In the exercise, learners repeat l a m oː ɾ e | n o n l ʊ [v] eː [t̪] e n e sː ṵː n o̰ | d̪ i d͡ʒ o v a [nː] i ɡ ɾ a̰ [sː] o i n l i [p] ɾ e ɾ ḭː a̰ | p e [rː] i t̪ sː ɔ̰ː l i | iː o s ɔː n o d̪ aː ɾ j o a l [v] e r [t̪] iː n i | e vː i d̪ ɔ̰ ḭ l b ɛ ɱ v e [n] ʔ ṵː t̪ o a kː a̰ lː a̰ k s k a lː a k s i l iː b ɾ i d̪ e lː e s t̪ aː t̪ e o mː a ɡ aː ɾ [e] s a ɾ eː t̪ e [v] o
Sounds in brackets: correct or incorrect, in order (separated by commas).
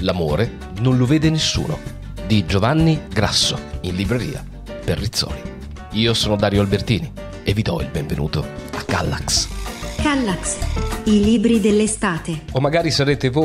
correct, incorrect, correct, correct, incorrect, correct, incorrect, correct, correct, incorrect, correct